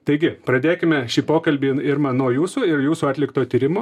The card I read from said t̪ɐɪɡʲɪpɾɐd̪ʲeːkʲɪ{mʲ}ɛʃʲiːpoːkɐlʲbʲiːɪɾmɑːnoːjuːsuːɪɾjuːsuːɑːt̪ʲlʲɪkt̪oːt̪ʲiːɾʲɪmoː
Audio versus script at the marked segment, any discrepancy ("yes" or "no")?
no